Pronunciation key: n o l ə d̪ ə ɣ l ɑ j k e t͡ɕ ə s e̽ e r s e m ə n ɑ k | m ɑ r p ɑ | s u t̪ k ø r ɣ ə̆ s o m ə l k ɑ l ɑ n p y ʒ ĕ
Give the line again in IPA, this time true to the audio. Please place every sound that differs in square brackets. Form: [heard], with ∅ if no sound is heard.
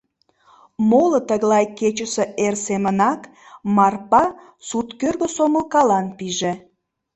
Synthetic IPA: [m] o l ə [t̪] ə ɣ l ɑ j k e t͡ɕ ə s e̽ e r s e m ə n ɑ k | m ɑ r p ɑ | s u t̪ k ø r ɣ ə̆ s o m ə l k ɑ l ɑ n p [i] ʒ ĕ